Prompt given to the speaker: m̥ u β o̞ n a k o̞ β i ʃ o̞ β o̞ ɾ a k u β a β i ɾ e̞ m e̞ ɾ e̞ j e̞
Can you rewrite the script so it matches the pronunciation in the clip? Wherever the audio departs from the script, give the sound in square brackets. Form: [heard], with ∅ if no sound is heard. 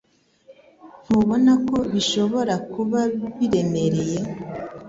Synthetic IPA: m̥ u β o̞ n a k o̞ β i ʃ o̞ β o̞ ɾ a k u β a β i ɾ e̞ m e̞ ɾ e̞ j e̞